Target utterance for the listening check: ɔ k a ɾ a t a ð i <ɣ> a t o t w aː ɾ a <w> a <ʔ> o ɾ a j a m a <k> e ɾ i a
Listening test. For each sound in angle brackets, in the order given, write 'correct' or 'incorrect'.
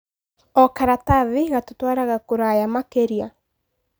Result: correct, incorrect, incorrect, correct

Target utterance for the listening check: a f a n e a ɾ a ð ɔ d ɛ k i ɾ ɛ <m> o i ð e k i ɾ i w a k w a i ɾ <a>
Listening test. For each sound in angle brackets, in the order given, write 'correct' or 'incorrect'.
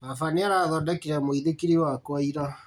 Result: correct, correct

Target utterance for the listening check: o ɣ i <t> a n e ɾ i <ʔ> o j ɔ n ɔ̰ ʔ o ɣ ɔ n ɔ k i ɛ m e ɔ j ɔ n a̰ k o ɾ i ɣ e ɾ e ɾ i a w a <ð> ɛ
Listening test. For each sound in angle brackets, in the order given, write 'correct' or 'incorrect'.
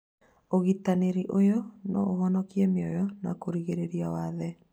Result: correct, correct, correct

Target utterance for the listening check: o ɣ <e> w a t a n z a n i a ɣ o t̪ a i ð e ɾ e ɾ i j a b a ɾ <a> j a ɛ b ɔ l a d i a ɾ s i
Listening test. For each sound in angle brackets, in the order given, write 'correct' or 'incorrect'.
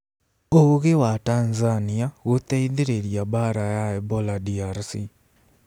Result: correct, correct

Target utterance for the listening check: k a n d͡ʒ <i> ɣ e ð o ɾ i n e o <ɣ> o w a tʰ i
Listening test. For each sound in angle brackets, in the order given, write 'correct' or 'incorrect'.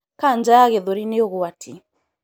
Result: incorrect, correct

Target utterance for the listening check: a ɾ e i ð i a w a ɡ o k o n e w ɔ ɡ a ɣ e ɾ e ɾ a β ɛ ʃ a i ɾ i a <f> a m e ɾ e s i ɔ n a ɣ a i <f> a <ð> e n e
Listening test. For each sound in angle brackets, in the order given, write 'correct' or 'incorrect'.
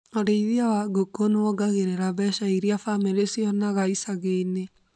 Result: correct, incorrect, incorrect

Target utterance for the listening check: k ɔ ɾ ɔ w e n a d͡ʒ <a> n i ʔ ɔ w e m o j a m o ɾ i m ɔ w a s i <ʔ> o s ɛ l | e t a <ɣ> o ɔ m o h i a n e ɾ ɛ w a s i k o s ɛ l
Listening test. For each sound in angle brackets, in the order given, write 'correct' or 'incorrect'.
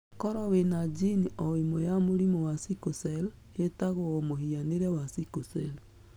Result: incorrect, incorrect, correct

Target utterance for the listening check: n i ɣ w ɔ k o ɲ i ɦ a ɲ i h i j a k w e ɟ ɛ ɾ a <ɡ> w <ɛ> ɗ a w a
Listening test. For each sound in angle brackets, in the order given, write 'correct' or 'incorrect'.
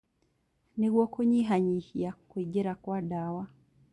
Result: incorrect, incorrect

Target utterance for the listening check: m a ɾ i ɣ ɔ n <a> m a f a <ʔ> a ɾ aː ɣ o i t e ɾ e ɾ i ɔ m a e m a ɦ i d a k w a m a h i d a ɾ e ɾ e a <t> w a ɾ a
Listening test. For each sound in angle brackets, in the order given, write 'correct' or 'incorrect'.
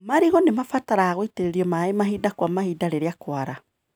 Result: incorrect, incorrect, incorrect

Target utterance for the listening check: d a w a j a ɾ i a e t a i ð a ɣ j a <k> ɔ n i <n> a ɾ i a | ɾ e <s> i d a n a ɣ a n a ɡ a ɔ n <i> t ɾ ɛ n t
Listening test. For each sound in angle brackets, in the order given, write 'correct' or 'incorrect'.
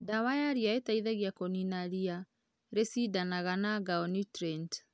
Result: correct, correct, correct, correct

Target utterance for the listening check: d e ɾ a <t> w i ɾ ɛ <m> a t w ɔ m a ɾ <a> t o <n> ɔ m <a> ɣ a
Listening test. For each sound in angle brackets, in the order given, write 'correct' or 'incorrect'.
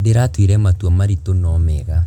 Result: correct, correct, incorrect, correct, incorrect

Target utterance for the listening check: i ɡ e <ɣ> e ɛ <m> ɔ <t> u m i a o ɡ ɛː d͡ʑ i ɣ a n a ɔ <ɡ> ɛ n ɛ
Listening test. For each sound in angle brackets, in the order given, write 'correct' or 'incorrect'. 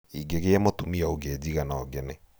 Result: correct, correct, correct, correct

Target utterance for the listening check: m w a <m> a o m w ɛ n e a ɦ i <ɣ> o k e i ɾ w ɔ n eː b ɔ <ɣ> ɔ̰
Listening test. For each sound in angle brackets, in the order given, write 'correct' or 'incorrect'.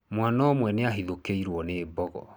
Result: incorrect, incorrect, correct

